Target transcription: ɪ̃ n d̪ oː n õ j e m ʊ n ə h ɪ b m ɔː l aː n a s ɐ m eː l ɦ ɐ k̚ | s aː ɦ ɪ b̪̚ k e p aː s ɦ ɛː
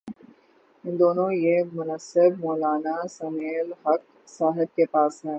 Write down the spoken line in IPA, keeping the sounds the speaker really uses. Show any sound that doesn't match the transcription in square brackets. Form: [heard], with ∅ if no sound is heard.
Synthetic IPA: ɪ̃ n d̪ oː n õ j e m ʊ n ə [s] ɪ b m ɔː l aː n a s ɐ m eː l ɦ ɐ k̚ | s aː ɦ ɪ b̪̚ k e p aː s ɦ ɛː